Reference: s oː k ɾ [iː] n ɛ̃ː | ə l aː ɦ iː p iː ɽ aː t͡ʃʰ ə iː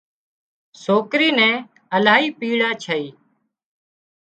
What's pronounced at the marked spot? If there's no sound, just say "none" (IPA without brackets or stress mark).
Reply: iː